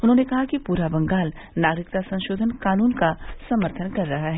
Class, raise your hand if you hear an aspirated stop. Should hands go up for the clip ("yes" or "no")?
yes